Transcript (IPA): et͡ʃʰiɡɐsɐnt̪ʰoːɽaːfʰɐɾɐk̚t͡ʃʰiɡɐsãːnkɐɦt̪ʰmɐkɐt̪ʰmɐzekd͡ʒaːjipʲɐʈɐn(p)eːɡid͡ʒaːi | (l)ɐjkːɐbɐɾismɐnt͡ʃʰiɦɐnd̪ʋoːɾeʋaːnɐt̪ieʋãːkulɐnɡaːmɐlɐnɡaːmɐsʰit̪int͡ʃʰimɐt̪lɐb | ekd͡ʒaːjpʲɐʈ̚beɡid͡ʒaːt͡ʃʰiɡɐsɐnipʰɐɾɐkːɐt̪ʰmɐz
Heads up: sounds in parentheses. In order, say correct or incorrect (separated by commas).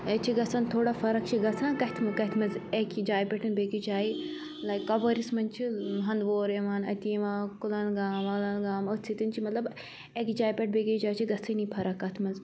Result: incorrect, correct